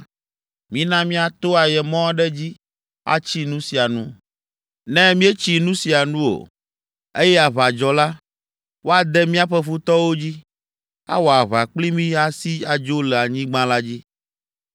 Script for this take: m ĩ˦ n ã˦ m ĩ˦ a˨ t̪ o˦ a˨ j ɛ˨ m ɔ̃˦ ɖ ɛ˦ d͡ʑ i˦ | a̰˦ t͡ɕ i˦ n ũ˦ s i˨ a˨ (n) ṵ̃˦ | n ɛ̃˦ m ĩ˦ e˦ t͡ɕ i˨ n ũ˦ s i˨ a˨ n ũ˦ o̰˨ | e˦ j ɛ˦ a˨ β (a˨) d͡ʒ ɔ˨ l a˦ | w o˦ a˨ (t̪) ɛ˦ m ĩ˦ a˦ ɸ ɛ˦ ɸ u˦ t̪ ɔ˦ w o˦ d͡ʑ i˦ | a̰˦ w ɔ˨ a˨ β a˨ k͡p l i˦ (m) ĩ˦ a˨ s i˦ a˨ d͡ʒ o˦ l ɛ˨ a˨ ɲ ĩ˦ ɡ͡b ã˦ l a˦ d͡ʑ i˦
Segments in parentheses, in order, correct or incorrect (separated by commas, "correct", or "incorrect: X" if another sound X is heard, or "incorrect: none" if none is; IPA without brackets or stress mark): correct, correct, incorrect: d̪, correct